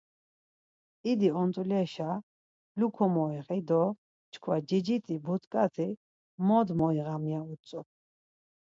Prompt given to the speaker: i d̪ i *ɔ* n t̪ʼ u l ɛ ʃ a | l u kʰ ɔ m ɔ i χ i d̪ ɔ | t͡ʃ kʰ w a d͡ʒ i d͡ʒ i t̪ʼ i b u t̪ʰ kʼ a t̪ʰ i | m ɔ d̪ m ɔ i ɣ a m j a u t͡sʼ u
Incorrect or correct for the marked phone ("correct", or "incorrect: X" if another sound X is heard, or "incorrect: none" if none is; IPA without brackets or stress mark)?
correct